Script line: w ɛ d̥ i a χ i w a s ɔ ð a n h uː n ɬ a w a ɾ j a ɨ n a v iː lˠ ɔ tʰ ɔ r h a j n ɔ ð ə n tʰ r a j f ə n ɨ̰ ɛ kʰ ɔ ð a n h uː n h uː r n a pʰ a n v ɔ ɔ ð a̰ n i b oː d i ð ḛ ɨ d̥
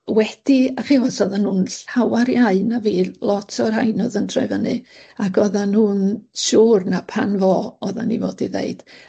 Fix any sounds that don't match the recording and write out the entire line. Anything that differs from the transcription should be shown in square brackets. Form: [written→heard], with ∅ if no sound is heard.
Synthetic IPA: w ɛ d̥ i a χ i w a s ɔ ð a n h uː n ɬ a w a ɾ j a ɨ n a v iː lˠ ɔ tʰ ɔ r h a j n ɔ ð ə n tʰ r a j [f→v] ə n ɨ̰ [ɛ→a] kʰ ɔ ð a n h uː n [h→ʃ] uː r n a pʰ a n v ɔ ɔ ð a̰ n i [b→v] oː d i ð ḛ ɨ d̥